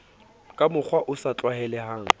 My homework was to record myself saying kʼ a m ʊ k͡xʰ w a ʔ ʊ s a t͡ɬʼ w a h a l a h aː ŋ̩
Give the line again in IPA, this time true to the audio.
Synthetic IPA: kʼ a m ʊ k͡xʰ w a ʔ ʊ s a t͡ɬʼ w a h ɛ l ɛ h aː ŋ̩